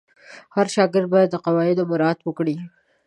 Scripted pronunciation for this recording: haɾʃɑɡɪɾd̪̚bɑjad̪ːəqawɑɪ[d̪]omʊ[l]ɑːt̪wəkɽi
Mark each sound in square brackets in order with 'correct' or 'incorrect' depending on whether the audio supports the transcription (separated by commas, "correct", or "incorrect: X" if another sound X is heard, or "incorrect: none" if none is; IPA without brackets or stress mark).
correct, incorrect: ɾ